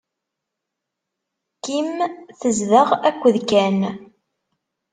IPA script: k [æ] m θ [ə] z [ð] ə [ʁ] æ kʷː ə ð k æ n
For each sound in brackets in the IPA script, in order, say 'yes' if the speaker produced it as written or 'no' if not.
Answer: no, yes, yes, yes

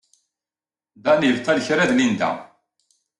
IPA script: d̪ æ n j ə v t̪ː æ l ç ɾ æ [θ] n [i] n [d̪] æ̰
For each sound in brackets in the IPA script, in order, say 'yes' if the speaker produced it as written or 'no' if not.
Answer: no, yes, yes

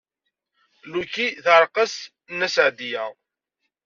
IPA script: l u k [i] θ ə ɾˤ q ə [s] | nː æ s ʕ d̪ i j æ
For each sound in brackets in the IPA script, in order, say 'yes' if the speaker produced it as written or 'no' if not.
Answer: yes, yes

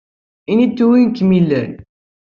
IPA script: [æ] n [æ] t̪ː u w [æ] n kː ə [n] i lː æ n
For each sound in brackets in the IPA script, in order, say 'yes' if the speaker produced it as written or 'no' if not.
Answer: no, no, no, no

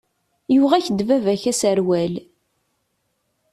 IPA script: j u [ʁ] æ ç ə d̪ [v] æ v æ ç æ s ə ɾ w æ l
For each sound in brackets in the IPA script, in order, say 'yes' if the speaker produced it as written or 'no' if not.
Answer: yes, yes

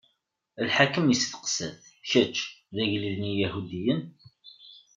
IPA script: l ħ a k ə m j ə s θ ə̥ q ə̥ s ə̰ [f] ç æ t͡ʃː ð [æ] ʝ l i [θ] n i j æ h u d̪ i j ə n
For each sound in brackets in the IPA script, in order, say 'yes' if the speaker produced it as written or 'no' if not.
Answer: no, yes, no

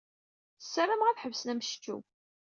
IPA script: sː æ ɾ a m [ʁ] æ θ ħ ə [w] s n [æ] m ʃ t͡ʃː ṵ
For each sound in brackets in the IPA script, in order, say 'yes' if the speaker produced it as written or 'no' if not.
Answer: yes, no, yes

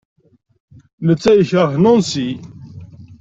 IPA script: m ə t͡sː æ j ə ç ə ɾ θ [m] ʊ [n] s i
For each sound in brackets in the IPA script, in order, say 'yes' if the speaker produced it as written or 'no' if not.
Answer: no, yes

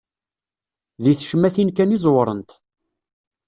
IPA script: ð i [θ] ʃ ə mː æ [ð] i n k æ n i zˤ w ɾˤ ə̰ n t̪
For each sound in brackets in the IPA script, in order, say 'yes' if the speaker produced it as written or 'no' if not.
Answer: yes, no

